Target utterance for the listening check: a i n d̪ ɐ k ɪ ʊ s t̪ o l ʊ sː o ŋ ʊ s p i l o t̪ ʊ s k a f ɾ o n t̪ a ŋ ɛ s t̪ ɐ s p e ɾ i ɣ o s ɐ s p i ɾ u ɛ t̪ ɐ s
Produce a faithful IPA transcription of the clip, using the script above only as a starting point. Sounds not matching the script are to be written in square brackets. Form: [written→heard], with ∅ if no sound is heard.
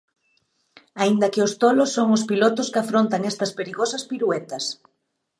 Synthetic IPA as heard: a i n d̪ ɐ k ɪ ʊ s t̪ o l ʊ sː o ŋ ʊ s p i l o t̪ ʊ s k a f ɾ o n t̪ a ŋ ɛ s t̪ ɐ s p e ɾ i ɣ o s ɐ s p i ɾ u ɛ t̪ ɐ s